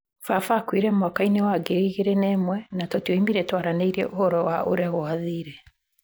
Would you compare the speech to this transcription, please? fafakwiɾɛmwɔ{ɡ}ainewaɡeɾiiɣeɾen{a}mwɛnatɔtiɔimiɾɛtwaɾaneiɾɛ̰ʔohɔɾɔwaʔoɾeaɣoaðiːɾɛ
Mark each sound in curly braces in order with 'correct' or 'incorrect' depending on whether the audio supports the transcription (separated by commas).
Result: incorrect, incorrect